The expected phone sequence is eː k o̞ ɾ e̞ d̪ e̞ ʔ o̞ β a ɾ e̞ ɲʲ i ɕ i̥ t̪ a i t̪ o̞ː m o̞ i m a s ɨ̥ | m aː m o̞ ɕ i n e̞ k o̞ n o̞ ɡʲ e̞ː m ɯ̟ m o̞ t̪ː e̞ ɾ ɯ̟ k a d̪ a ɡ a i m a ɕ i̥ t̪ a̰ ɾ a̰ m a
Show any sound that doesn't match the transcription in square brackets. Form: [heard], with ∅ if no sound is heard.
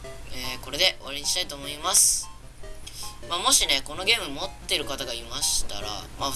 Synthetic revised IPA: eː k o̞ ɾ e̞ d̪ e̞ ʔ o̞ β a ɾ e̞ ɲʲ i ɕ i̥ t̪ a i t̪ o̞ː m o̞ i m a s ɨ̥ | m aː m o̞ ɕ i n e̞ k o̞ n o̞ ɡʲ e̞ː m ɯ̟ m o̞ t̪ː e̞ ɾ ɯ̟ k a [t̪] a ɡ a i m a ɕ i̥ t̪ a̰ ɾ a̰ m a

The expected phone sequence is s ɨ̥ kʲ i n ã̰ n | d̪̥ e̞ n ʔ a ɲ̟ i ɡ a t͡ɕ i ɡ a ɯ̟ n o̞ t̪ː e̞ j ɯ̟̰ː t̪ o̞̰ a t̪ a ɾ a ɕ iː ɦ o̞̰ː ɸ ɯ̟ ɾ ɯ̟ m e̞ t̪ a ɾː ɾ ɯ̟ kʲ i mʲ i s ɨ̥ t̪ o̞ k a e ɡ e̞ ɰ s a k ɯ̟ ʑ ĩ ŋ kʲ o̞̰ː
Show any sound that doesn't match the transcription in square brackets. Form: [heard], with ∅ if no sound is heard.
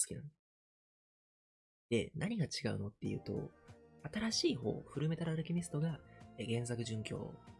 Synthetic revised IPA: s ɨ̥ kʲ i n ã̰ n | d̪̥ e̞ n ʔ a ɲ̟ i ɡ a t͡ɕ i ɡ a ɯ̟ n o̞ t̪ː e̞ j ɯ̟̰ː t̪ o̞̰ a t̪ a ɾ a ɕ iː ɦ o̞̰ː ɸ ɯ̟ ɾ ɯ̟ m e̞ t̪ a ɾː ɾ ɯ̟ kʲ i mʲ i s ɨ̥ t̪ o̞ [ɡ] a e ɡ [ẽ̞] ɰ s a k ɯ̟ ʑ [ɨ̃] ŋ kʲ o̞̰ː

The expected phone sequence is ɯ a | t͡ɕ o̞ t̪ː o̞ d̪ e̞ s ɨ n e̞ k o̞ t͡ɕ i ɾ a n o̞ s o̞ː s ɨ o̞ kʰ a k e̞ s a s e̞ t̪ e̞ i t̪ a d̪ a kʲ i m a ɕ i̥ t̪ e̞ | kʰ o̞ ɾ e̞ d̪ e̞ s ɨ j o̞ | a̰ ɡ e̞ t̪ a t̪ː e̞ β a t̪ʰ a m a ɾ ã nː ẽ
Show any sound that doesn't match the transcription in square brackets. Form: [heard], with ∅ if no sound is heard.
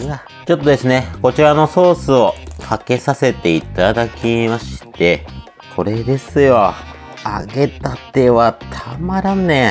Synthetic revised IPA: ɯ a | t͡ɕ o̞ t̪ː o̞ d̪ e̞ s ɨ n e̞ k o̞ t͡ɕ i ɾ a n o̞ s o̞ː s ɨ o̞ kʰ a k e̞ s a s e̞ t̪ e̞ i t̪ a d̪ a kʲ i m a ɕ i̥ t̪ e̞ | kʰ o̞ ɾ e̞ d̪ e̞ s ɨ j o̞ | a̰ ɡ e̞ t̪ a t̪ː e̞ β a t̪ʰ a m a ɾ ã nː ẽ

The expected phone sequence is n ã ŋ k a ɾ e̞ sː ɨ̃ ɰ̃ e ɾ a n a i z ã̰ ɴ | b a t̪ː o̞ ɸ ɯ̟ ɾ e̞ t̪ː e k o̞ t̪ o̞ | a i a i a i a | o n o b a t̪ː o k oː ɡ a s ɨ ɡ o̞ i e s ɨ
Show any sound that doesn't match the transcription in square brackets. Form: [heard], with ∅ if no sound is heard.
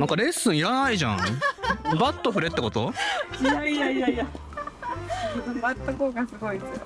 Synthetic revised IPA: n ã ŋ k a ɾ e̞ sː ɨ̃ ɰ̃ [i] ɾ a n a i [ʑ] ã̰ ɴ | b a t̪ː o̞ ɸ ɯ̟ ɾ e̞ t̪ː e k o̞ t̪ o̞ | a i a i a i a | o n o b a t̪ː o k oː ɡ a s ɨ ɡ o̞ i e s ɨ

